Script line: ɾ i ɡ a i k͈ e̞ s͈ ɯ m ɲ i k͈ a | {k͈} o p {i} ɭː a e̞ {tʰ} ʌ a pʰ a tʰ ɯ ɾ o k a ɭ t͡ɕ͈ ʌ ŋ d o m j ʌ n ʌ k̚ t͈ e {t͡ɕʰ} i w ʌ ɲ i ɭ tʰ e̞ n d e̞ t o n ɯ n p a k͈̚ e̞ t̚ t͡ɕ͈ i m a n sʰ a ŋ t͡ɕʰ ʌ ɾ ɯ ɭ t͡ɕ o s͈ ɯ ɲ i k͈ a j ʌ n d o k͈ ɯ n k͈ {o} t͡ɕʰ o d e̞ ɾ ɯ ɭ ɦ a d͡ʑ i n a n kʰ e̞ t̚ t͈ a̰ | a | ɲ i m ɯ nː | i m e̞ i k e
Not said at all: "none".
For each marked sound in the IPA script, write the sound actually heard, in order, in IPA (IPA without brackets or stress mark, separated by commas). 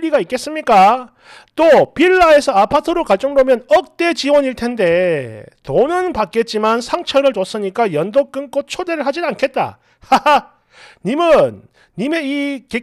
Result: t͈, i, sʰ, t͡ɕ, o